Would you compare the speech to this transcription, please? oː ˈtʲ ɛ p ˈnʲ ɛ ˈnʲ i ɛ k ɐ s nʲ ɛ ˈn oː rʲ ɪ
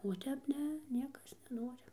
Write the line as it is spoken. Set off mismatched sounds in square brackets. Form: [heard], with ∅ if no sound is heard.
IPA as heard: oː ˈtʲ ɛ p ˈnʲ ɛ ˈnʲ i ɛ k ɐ s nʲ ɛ ˈn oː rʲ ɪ